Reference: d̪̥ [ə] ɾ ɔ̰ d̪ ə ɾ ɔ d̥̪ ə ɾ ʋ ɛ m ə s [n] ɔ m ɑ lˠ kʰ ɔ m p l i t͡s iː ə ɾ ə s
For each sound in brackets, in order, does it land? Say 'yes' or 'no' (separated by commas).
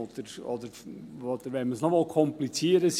yes, yes